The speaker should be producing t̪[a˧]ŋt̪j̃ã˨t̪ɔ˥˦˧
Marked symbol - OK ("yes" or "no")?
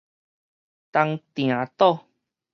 yes